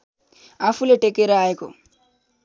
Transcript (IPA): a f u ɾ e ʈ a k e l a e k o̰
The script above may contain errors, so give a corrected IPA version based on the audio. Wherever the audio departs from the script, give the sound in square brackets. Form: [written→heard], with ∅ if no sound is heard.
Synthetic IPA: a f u [ɾ→l] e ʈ [a→e] k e [l→ɾ] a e k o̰